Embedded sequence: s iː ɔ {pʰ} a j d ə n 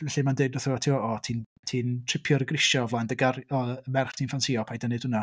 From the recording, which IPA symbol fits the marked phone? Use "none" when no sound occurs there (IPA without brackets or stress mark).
pʰ